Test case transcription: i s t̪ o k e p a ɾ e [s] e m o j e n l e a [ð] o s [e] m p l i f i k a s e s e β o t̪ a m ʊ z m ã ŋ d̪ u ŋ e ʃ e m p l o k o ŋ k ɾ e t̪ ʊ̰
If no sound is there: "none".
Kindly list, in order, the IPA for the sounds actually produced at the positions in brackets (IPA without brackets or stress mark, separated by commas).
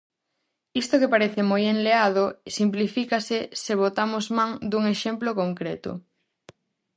θ, ð, i